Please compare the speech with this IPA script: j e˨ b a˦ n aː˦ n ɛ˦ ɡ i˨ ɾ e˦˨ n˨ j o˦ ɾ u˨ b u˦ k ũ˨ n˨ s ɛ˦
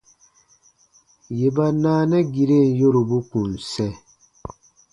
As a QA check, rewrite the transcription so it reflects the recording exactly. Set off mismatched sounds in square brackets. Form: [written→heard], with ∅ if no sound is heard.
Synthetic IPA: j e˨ b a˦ n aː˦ n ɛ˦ ɡ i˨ ɾ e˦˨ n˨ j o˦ ɾ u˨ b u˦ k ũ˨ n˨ s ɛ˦

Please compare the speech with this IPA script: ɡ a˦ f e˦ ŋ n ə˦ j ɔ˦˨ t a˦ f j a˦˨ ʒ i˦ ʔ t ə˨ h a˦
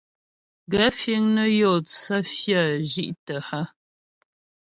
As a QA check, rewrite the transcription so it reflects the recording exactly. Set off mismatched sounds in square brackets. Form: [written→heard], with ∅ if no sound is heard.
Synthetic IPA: ɡ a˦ f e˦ ŋ n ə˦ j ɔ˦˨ [t→t͡s] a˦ f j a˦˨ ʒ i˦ ʔ t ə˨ h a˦

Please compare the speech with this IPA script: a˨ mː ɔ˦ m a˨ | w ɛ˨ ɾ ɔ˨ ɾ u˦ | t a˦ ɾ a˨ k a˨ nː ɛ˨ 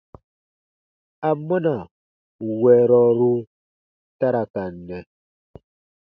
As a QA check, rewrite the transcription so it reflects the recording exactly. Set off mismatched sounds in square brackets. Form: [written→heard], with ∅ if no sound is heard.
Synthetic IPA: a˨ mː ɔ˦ [m→n] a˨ | w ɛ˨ ɾ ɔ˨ ɾ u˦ | t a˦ ɾ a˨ k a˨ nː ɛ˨

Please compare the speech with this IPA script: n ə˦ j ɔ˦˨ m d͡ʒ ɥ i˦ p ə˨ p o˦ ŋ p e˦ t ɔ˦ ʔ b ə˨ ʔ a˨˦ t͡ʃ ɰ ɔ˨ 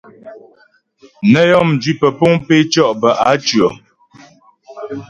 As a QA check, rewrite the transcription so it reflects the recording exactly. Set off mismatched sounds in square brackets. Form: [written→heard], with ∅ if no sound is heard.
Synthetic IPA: n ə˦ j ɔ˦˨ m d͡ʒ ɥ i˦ p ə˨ p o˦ ŋ p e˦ [t→t͡ʃ] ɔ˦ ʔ b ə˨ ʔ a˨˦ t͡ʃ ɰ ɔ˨

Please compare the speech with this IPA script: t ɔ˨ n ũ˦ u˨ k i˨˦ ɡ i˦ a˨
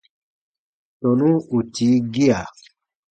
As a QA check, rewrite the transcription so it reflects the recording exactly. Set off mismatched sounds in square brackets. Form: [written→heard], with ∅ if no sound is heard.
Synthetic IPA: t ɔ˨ n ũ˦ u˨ [k→t] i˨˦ ɡ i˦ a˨

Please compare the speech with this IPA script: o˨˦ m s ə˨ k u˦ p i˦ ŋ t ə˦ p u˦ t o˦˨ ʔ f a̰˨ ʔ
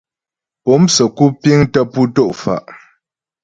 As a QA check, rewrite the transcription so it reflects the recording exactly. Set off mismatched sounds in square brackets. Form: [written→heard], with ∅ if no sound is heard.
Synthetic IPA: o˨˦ m s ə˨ k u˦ p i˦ ŋ t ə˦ p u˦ t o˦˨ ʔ f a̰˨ ʔ

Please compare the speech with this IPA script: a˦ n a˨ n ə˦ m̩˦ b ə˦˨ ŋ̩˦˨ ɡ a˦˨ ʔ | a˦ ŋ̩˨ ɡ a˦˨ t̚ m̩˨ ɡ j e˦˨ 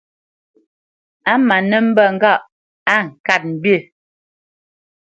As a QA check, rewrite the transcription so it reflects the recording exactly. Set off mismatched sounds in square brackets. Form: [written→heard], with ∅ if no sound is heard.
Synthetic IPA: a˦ [n→m] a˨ n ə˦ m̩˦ b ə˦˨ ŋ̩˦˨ ɡ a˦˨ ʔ | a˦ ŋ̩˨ [ɡ→k] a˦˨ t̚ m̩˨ [ɡ→b] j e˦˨

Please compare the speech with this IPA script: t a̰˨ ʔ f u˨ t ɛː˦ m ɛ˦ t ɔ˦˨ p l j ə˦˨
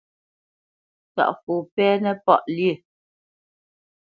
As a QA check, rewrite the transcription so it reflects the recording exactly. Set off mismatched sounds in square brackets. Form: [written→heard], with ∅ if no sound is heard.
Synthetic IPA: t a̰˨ ʔ f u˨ [t→p] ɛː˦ [m→n] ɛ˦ [t→p] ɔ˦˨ [p→ʔ] l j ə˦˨

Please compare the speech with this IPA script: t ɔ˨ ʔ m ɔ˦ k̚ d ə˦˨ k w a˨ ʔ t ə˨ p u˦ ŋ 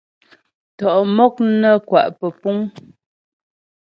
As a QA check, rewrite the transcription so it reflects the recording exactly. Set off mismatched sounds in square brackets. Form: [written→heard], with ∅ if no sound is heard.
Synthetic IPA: t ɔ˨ ʔ m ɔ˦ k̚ [d→n] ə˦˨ k w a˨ ʔ [t→p] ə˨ p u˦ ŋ

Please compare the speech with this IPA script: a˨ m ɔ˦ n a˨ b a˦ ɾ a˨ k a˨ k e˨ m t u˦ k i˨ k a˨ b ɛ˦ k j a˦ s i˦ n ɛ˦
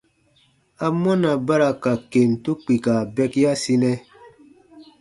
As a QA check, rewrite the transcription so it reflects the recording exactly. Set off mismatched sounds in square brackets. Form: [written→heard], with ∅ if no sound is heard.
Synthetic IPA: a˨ m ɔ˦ n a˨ b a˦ ɾ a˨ k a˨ k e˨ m t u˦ [k→k͡p] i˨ k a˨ b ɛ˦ k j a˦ s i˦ n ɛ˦

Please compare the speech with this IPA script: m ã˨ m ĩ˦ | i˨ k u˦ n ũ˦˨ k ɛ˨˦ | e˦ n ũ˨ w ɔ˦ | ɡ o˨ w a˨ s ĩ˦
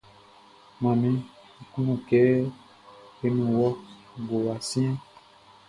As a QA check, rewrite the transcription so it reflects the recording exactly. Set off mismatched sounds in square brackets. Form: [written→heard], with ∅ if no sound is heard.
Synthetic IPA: m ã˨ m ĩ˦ | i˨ k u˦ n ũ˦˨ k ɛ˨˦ | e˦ n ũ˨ w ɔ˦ | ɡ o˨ w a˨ s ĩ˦

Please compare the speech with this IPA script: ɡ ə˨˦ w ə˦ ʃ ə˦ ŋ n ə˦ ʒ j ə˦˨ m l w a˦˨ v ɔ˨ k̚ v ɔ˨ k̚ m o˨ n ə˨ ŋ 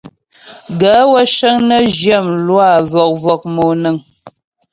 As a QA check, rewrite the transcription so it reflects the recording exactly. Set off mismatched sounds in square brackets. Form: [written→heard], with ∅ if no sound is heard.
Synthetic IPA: ɡ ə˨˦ w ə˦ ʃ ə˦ ŋ n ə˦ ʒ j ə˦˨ m l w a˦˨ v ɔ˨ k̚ v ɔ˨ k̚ m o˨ n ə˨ ŋ

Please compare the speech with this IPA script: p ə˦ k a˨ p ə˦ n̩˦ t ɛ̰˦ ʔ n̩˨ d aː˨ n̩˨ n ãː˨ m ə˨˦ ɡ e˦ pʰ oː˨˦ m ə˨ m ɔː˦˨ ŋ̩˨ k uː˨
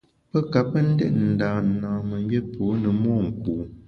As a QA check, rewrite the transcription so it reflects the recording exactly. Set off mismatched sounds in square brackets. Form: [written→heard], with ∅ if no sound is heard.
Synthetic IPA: p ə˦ k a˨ p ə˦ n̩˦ [t→d] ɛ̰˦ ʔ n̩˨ d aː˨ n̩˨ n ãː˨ m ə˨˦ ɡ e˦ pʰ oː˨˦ [m→n] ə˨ m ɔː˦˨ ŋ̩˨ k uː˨

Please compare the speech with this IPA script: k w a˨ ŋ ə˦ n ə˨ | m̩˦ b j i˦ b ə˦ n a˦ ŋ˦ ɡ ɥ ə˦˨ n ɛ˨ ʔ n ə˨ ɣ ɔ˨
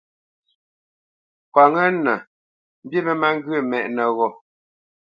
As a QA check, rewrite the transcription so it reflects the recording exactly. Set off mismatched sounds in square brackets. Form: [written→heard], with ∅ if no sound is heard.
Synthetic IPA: k w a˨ ŋ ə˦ n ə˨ | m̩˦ b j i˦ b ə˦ [n→m] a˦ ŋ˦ ɡ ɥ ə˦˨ [n→m] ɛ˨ ʔ n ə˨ ɣ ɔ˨

